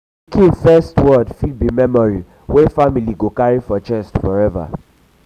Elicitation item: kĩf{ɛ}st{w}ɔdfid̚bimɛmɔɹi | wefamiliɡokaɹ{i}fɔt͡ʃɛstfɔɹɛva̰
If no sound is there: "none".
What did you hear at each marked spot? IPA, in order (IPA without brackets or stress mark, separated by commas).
ɛ, w, i